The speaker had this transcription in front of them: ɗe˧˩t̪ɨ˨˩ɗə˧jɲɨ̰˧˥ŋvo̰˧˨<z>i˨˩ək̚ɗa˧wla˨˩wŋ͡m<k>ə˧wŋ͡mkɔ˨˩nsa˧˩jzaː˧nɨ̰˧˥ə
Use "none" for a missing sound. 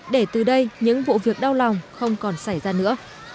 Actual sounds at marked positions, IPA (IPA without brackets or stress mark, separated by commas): v, x